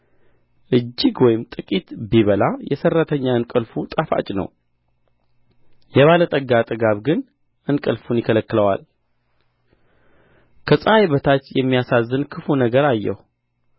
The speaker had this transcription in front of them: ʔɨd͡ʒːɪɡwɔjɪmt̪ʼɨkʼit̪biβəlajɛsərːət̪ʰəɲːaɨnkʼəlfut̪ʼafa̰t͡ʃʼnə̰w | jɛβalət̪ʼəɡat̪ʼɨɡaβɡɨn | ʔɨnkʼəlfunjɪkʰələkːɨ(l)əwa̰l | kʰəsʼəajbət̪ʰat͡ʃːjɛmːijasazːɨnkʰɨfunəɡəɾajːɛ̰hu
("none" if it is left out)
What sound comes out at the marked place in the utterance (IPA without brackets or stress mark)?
l